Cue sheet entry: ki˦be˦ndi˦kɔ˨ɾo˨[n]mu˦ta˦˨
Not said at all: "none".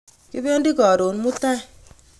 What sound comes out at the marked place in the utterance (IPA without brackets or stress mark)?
n